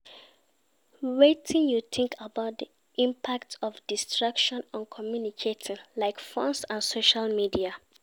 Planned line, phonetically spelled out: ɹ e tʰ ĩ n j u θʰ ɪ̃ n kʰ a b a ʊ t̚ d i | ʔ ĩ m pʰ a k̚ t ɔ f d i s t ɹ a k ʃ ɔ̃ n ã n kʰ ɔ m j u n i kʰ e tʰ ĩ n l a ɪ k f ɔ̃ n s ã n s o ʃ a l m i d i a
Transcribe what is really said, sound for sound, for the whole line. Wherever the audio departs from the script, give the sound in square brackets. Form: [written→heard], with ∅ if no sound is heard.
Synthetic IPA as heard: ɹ e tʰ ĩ n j u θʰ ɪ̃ [n→ŋ] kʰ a b a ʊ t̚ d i | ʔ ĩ m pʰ a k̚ t ɔ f d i s t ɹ a k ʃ ɔ̃ n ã n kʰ ɔ m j u n i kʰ e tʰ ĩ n l a ɪ k f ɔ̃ n s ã n s o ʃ a l m i d i a

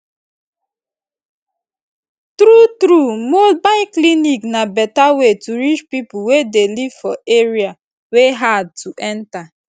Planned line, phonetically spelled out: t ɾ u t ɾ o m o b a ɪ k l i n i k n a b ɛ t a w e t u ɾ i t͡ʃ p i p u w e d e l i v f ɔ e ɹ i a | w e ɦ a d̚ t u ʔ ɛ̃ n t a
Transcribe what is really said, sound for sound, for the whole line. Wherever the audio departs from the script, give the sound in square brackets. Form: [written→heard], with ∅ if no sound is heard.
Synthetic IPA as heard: t ɾ u t ɾ [o→u] m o b a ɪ k l i n i k n a b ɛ t a w e t u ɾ i t͡ʃ p i p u w e d e l i v f ɔ e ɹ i a | w e ɦ a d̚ t u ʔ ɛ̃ n t a

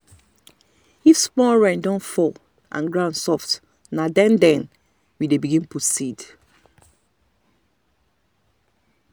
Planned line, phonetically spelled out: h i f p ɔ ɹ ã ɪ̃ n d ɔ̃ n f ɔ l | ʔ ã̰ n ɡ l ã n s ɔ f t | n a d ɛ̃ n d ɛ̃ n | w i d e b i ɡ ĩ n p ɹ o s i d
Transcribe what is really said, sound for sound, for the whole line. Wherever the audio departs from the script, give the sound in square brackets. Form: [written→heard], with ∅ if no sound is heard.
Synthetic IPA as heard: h i [f→s] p ɔ ɹ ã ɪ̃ n d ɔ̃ n f ɔ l | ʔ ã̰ n ɡ [l→ɹ] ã n s ɔ f t | n a d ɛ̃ n d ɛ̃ n | w i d e b i ɡ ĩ n p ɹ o s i d

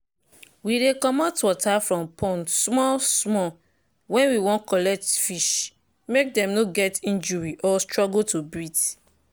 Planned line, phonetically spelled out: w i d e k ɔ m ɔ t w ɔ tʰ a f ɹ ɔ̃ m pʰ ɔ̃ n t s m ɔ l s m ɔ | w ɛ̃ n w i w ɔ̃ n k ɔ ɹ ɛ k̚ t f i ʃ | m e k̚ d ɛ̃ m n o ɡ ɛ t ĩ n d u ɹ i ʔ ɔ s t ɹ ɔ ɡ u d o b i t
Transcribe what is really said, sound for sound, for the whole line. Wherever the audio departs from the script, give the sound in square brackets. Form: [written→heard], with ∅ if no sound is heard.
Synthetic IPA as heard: w i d e k ɔ m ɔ t w ɔ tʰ a f ɹ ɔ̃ m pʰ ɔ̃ n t s m ɔ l s m ɔ | w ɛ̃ n w i w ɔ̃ n k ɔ [ɹ→l] ɛ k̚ t f i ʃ | m e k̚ d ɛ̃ m n o ɡ ɛ t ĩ n [d→d͡ʒ] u ɹ i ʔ ɔ s t ɹ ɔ ɡ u [d→t] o b i t

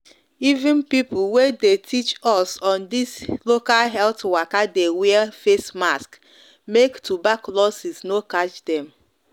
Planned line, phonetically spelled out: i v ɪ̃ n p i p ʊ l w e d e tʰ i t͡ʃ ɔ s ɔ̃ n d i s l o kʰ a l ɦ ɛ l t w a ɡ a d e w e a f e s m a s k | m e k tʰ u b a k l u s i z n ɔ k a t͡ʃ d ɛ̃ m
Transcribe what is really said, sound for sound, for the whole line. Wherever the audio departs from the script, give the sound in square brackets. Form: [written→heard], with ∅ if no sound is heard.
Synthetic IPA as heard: i v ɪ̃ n p i p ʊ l w e d e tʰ i t͡ʃ ɔ s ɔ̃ n d i s l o [kʰ→k] a l ɦ ɛ l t w a [ɡ→k] a d e w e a f e s m a s k | m e k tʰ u b a k l [u→ɔ] s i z n [ɔ→o] k a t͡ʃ d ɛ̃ m

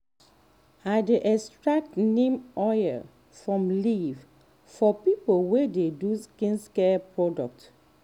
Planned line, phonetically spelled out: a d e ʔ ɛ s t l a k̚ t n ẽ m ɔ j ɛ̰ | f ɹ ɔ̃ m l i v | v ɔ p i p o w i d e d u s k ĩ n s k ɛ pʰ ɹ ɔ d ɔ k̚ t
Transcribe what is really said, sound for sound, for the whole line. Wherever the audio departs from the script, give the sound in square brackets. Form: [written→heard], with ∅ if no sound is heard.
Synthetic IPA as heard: a d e ʔ ɛ s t [l→ɹ] a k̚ t n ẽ m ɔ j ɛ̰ | f ɹ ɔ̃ m l i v | [v→f] ɔ p i p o w [i→e] d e d u s k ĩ n s k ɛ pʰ ɹ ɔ d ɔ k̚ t

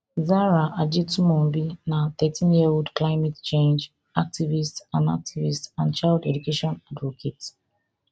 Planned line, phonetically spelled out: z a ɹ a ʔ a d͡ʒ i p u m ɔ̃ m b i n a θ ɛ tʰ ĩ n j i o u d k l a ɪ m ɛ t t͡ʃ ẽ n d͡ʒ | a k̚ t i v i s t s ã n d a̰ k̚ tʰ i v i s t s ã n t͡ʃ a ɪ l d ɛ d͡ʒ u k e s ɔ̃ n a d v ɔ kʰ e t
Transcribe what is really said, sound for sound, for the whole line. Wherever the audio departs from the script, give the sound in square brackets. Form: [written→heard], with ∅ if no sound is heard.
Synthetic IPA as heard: z a ɹ a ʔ a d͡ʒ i [p→t] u m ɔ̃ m b i n a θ ɛ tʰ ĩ n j i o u d k l a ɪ m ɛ t t͡ʃ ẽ n d͡ʒ | a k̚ t i v i s t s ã n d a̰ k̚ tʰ i v i s t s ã n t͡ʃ a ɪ l d ɛ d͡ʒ u k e [s→ʃ] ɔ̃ n a d v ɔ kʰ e t

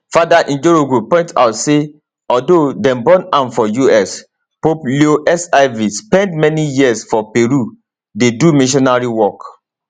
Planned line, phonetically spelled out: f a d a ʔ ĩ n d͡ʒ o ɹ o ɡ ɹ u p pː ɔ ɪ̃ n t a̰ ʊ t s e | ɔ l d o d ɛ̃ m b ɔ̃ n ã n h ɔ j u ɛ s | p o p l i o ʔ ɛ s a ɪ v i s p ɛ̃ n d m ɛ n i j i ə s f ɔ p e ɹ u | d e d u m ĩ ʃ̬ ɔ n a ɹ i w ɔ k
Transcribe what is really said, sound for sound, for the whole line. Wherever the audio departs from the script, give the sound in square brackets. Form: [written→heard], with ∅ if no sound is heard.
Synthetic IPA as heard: f a d a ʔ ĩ n d͡ʒ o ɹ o ɡ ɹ u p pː [ɔ→ɔ̃] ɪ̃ n t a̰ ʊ t s e | ɔ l d o d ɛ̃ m b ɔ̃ n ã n [h→f] ɔ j u ɛ s | p o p l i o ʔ ɛ s a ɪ v i s p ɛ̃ n d m ɛ n i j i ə s f ɔ p e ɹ u | d e d u m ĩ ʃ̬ ɔ n a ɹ i w ɔ k

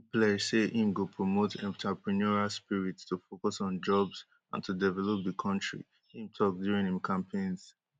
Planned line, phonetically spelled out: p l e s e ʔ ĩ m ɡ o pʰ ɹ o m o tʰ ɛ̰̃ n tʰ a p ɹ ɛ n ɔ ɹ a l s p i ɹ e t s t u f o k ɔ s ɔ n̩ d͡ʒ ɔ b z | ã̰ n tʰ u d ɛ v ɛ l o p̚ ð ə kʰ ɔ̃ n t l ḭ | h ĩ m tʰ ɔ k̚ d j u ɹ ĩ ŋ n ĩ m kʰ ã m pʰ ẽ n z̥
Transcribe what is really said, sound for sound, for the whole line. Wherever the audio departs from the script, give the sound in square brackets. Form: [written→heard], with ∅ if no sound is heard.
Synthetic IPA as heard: p l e s e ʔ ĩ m ɡ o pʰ ɹ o m o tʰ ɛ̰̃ n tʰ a p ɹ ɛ n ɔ ɹ a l s p i ɹ [e→i] t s t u f o k ɔ s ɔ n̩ d͡ʒ ɔ b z | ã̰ n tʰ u d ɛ v ɛ l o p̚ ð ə kʰ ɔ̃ n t [l→ɹ] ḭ | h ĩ m tʰ ɔ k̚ d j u ɹ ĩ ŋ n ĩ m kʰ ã m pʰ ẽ n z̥

